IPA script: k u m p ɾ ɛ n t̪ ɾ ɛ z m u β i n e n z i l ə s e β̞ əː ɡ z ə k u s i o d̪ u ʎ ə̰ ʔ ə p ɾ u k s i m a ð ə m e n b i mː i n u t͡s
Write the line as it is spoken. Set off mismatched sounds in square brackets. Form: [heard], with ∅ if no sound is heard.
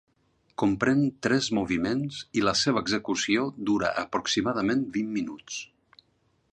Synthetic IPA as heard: k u m p ɾ ɛ n t̪ ɾ ɛ z m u β i [m] e n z i l ə s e β̞ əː ɡ z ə k u s i o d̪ u [ɾ] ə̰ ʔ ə p ɾ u k s i m a ð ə m e n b i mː i n u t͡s